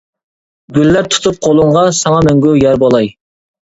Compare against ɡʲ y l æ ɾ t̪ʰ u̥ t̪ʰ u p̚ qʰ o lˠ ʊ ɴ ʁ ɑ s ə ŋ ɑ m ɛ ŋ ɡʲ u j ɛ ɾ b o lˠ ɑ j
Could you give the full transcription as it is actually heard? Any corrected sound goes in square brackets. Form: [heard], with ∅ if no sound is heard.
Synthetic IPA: ɡʲ y [lː] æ ɾ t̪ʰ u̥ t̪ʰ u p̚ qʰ o lˠ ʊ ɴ ʁ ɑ s [ɑ] ŋ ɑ m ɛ ŋ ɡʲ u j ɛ ɾ b o lˠ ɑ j